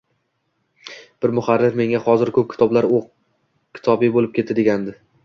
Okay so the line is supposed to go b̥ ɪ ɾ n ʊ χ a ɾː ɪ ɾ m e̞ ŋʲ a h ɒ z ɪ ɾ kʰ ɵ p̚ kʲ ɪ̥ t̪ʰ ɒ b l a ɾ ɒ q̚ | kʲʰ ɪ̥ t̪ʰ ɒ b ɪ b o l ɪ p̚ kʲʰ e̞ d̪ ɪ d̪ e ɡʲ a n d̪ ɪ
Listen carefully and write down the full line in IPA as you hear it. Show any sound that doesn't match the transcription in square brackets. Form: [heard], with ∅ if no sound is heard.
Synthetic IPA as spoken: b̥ ɪ ɾ [m] ʊ χ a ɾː ɪ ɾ m e̞ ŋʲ a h ɒ z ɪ ɾ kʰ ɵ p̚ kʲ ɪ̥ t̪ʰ ɒ b l a ɾ [o] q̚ | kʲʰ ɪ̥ t̪ʰ ɒ b ɪ b o l ɪ p̚ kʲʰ e̞ [t̪] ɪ d̪ e ɡʲ a n d̪ ɪ